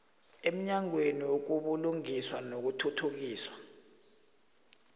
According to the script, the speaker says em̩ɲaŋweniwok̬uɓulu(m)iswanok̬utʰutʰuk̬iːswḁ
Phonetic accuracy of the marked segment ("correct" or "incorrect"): incorrect